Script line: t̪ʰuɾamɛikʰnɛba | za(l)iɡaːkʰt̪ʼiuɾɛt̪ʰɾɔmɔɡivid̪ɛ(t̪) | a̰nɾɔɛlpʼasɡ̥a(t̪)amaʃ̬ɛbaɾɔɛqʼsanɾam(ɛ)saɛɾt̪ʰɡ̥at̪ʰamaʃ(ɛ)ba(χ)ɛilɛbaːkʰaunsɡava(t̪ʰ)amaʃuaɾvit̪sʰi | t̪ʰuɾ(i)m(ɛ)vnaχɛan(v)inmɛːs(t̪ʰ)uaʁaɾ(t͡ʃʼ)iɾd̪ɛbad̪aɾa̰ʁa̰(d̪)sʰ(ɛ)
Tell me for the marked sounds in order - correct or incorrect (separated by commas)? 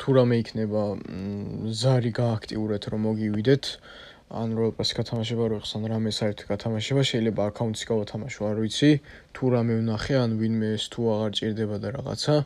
incorrect, incorrect, incorrect, correct, correct, incorrect, correct, incorrect, correct, correct, correct, correct, incorrect, incorrect